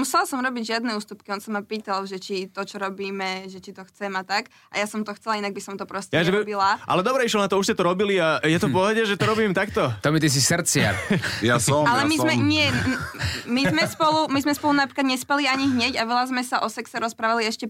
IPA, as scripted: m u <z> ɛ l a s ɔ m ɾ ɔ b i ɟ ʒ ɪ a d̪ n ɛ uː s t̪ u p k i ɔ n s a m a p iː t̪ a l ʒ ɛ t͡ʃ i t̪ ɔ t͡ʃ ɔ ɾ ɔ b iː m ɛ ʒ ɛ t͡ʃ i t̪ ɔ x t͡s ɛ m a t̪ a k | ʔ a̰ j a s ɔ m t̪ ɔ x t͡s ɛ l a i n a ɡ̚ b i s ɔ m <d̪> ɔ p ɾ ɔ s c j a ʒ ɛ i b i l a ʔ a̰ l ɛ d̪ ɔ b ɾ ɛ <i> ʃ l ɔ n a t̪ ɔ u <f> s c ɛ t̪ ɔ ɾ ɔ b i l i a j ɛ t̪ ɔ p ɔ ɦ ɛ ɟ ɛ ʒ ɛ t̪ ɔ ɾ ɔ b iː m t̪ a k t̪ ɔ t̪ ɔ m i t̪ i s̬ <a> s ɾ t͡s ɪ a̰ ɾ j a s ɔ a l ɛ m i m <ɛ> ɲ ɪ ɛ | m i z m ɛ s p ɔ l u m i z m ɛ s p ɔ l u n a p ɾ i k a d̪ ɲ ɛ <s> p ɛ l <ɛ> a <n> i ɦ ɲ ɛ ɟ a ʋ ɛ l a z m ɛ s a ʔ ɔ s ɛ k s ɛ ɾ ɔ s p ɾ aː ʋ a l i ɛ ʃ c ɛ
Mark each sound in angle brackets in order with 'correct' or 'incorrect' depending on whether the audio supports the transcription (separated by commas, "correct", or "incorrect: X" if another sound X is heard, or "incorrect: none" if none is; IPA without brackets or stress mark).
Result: incorrect: s, incorrect: t̪, correct, incorrect: ʃ, incorrect: i, correct, correct, incorrect: i, incorrect: ɲ